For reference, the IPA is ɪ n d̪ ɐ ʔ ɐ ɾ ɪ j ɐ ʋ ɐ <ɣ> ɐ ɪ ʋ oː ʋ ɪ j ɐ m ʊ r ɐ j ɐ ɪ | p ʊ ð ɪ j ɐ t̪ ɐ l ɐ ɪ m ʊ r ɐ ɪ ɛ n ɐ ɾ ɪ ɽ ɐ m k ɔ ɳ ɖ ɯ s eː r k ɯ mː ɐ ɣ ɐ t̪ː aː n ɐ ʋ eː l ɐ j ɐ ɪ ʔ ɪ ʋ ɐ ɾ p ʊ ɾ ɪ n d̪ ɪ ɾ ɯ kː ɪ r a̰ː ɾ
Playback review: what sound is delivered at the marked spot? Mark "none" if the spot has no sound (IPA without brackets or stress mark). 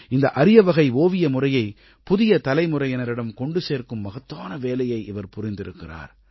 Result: ɣ